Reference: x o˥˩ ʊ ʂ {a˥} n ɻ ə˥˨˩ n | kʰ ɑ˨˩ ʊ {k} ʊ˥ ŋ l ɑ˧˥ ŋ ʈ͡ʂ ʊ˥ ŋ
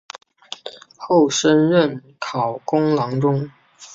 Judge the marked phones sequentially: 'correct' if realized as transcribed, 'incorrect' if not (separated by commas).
incorrect, correct